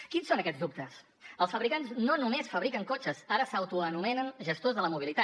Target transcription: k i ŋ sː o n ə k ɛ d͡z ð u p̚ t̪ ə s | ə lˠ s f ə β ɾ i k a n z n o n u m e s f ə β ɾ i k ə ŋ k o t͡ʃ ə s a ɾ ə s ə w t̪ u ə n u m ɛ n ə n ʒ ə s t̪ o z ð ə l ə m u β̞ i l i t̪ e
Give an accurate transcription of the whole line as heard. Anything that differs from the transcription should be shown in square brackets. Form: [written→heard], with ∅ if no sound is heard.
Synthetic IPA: k i [ŋ→n] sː o n ə k ɛ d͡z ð u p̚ t̪ ə s | ə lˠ s f ə β ɾ i k a n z n o n u m e s f ə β ɾ i k ə ŋ k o t͡ʃ ə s a ɾ ə s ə w t̪ u ə n u m ɛ n ə n ʒ ə s t̪ o z ð ə l ə m u β̞ i l i t̪ [e→a]